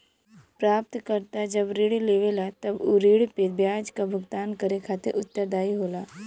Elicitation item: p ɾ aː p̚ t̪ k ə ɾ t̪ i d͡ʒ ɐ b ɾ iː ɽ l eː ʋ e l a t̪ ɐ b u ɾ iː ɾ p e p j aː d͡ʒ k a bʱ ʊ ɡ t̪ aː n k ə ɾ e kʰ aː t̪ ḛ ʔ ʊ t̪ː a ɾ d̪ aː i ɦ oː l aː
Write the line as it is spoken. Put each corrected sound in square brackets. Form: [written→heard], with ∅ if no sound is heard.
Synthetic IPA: p ɾ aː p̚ t̪ k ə ɾ t̪ [i→a] d͡ʒ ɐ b ɾ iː ɽ l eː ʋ e l a t̪ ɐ b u ɾ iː [ɾ→ɽ] p e [p→b] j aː d͡ʒ k a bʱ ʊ ɡ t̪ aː n k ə ɾ e kʰ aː t̪ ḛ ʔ ʊ t̪ː [a→ə] ɾ d̪ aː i ɦ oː l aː